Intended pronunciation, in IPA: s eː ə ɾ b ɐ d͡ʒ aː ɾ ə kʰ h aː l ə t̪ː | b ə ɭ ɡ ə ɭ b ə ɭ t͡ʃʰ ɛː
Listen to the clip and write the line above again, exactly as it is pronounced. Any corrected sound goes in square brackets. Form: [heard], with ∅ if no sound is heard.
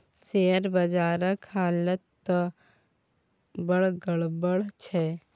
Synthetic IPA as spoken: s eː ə ɾ b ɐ d͡ʒ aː ɾ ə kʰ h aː l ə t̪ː | b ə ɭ ɡ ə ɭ b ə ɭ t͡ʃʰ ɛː